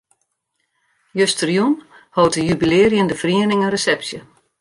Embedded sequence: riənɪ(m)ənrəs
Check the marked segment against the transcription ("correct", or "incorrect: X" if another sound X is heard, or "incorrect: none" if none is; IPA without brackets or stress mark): incorrect: ŋ